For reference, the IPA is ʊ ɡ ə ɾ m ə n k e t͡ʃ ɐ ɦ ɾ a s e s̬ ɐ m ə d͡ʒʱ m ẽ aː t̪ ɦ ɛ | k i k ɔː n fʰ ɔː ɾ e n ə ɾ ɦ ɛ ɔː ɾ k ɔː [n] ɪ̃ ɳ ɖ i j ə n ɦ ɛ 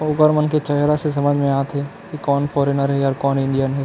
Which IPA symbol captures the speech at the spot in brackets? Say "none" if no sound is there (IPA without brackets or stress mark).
n